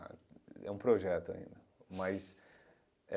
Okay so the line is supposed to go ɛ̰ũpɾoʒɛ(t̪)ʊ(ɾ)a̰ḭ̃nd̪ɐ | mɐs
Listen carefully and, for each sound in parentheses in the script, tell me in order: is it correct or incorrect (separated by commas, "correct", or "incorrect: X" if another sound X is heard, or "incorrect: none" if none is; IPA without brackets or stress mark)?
correct, incorrect: none